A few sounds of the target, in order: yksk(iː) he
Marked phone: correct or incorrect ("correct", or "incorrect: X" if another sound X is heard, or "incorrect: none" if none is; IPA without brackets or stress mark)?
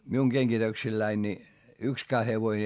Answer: incorrect: æː